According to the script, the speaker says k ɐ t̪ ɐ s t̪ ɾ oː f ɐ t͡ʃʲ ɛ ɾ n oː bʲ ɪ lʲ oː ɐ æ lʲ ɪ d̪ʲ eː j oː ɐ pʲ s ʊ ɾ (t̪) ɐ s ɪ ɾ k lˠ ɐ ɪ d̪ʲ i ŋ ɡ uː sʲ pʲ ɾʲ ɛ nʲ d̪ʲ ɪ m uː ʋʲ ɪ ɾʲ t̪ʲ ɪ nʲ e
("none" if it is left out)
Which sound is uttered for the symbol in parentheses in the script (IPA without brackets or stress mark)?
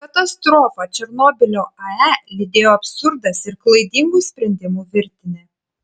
d̪